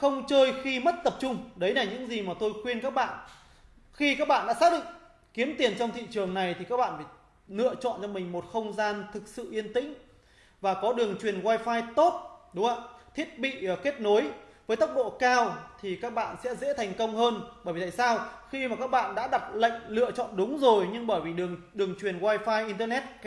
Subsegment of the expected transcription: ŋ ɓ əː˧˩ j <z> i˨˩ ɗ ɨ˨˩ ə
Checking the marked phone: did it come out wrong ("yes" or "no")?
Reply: yes